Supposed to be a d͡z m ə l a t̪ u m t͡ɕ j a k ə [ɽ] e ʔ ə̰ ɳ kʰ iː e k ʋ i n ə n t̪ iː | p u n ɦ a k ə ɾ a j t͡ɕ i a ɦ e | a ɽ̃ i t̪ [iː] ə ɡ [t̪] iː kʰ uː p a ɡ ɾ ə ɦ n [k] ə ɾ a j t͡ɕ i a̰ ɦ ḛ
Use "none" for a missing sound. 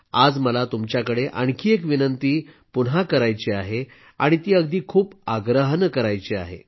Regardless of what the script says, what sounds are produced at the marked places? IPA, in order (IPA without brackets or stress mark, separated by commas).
ɽ, iː, d̪, k